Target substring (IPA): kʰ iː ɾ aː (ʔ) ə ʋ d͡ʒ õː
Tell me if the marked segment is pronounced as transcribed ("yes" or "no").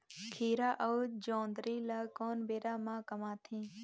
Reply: yes